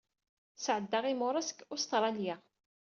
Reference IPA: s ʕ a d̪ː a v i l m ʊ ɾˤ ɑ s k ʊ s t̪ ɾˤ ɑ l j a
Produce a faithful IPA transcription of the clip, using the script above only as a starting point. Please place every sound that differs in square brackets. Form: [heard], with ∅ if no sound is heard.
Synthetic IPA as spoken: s ʕ [ə] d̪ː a [ʁ] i [∅] m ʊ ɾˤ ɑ s k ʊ s t̪ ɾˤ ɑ l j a